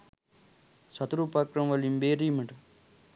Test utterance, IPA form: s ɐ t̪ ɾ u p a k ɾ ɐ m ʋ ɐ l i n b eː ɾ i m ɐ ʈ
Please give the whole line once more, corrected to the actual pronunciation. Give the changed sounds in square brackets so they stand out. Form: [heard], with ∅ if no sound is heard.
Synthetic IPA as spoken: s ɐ t̪ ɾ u p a k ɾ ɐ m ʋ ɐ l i [m] b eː ɾ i m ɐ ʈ